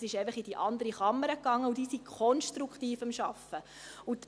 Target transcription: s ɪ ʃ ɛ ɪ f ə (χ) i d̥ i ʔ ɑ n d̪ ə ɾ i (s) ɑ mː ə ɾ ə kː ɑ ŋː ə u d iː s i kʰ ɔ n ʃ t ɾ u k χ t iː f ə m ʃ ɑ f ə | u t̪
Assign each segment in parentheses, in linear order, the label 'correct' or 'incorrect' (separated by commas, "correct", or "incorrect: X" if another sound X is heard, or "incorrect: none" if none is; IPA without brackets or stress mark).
correct, incorrect: χ